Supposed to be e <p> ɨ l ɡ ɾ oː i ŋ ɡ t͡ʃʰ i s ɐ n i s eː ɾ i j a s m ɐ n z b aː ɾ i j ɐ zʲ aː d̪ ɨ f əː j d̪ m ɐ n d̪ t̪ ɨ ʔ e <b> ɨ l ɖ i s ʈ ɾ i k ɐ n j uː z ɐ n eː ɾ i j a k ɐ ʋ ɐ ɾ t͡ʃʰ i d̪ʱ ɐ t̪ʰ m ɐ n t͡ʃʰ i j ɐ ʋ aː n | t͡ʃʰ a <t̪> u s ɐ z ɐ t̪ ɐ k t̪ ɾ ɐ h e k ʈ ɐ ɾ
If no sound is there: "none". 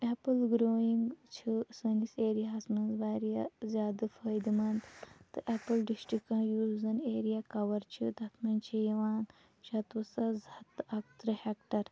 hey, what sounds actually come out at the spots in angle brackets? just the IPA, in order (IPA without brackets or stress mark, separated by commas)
p, p, t̪